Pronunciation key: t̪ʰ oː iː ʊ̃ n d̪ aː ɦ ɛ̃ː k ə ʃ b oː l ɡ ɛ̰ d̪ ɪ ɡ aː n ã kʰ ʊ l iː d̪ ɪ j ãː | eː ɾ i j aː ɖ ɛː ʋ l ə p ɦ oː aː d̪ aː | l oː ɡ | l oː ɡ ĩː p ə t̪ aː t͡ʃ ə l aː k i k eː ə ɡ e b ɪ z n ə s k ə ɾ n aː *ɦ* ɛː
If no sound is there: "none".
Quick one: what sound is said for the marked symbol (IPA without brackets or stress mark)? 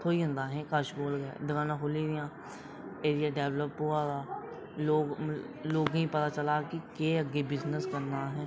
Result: ɦ